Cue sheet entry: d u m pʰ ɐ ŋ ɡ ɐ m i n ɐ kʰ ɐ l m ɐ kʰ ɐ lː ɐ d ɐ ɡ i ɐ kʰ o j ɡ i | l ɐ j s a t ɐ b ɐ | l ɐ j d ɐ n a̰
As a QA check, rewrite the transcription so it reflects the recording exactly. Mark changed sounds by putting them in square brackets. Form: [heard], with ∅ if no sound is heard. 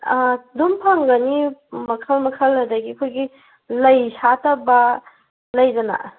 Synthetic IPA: d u m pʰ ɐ ŋ ɡ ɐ [n] i [m] ɐ kʰ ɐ l m ɐ kʰ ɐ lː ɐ d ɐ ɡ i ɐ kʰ o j ɡ i | l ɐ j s a t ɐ b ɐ | l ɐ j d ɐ n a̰